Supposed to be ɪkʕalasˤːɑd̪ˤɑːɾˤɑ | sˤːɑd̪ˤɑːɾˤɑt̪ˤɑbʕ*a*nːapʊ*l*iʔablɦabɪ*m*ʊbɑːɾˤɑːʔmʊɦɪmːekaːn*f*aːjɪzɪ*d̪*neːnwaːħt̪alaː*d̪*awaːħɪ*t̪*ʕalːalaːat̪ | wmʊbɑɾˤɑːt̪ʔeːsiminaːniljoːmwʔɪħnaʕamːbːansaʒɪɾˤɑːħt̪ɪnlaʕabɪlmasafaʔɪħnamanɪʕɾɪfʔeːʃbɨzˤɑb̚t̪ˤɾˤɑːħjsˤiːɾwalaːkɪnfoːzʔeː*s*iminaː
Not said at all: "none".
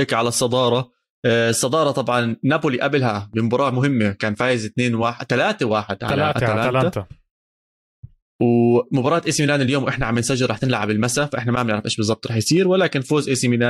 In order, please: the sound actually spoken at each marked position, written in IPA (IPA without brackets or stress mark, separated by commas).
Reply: ɑ, l, m, f, t̪, t̪, d̪, s